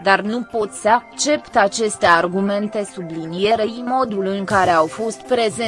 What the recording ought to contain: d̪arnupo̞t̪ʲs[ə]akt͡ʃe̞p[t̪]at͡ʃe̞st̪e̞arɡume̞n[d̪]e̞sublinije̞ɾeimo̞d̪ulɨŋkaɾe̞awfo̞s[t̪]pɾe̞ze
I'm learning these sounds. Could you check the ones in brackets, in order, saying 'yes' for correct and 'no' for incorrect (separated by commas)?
yes, yes, no, yes